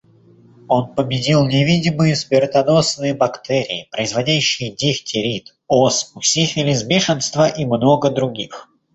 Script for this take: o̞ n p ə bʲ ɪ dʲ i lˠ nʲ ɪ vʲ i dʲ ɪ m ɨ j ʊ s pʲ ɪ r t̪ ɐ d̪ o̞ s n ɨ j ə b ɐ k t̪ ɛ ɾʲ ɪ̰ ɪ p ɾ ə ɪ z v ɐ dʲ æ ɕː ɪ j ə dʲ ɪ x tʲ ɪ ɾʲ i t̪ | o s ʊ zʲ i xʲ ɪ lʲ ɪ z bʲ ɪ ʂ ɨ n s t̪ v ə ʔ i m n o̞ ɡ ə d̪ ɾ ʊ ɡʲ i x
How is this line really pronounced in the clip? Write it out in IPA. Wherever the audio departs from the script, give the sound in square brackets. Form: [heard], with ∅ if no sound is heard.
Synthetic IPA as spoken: o̞ n p ə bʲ ɪ dʲ i lˠ nʲ ɪ vʲ i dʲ ɪ m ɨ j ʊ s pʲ ɪ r t̪ ɐ d̪ o̞ s n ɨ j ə b ɐ k t̪ ɛ ɾʲ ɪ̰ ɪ p ɾ ə ɪ z v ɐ dʲ æ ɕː ɪ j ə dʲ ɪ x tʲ ɪ ɾʲ i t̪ | o s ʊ [sʲ] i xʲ ɪ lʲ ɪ z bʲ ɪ ʂ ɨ n s t̪ v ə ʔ i m n o̞ ɡ ə d̪ ɾ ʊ ɡʲ i x